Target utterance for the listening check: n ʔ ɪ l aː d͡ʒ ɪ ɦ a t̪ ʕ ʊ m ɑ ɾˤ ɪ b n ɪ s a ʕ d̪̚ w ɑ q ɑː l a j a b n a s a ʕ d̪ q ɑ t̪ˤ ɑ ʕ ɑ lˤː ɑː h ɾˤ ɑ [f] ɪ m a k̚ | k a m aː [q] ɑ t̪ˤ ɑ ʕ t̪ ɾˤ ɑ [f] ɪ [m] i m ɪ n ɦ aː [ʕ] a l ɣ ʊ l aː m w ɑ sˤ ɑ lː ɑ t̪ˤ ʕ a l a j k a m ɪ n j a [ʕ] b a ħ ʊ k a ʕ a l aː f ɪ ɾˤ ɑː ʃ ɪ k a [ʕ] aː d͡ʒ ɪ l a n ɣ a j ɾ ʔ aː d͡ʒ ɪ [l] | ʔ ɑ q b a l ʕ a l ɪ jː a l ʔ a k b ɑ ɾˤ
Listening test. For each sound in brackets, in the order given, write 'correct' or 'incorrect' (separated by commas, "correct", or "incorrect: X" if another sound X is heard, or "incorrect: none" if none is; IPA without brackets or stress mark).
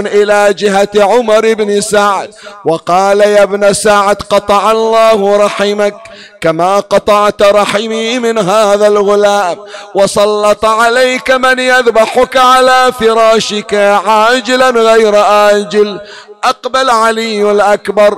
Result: incorrect: ħ, correct, incorrect: ħ, correct, incorrect: ð, incorrect: ð, correct, correct